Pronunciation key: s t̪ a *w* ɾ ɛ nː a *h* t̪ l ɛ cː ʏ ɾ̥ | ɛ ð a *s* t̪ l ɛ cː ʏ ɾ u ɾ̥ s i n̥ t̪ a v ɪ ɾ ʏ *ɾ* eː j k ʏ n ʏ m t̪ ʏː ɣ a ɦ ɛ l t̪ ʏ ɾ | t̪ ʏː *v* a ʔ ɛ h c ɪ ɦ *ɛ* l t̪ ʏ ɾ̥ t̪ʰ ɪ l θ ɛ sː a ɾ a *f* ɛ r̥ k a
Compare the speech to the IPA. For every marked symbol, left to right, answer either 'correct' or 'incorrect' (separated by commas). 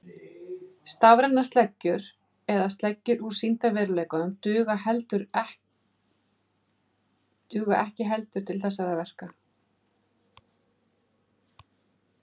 incorrect, incorrect, correct, incorrect, incorrect, correct, incorrect